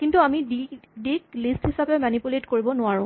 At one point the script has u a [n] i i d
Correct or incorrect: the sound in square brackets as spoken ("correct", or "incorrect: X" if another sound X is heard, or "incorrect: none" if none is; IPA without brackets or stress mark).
incorrect: m